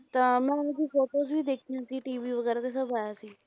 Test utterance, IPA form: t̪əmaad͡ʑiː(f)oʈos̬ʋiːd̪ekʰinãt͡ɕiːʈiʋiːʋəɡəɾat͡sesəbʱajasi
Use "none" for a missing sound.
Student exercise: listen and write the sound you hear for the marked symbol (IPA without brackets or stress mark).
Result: f